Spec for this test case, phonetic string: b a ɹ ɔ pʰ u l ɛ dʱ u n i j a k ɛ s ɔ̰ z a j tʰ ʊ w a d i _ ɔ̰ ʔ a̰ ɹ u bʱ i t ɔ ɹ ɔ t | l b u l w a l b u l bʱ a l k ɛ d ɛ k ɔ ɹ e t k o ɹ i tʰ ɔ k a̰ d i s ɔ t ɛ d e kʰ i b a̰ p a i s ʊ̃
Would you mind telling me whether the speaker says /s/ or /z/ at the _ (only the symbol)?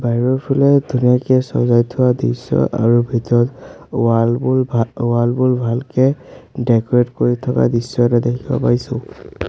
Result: s